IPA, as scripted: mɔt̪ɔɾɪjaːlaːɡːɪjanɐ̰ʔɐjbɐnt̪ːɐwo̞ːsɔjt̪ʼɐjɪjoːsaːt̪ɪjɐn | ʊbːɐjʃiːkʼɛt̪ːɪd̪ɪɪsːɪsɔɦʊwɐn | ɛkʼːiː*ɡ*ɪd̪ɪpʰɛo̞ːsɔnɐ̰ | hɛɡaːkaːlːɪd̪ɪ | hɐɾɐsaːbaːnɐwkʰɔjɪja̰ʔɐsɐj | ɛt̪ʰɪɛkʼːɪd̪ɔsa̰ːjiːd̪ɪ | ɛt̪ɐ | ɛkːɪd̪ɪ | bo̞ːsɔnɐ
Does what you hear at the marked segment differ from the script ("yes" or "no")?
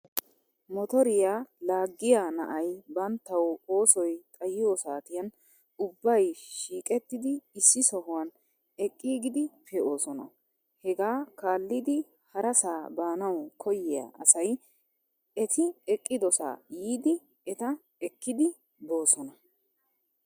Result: no